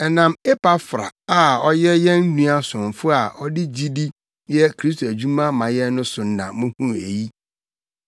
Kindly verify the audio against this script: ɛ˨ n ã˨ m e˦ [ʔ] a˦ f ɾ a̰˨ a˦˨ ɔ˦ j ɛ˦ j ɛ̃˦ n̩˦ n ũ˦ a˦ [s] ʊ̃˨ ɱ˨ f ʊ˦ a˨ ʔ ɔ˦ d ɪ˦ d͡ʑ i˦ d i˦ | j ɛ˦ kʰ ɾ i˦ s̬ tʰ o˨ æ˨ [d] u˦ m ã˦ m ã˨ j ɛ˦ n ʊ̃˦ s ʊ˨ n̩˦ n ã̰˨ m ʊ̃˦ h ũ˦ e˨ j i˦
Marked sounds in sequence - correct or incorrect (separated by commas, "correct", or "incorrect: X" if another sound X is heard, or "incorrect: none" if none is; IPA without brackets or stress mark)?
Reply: incorrect: p, correct, incorrect: d͡ʑ